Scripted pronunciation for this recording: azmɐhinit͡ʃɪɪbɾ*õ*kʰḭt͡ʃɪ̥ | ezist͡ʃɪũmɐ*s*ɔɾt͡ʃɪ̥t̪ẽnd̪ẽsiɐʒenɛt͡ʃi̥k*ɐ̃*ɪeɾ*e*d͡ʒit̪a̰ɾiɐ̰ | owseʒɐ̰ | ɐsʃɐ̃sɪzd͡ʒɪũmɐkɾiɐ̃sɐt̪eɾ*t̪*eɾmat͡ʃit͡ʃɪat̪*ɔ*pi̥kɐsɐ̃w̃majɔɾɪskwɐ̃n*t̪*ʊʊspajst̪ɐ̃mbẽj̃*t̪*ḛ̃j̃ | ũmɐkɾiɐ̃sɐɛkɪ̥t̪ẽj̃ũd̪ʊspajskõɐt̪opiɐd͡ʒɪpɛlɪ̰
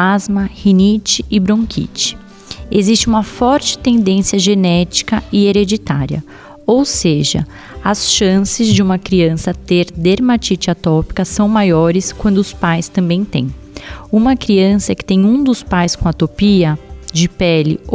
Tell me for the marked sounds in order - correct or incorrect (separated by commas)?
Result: correct, incorrect, incorrect, correct, incorrect, correct, incorrect, correct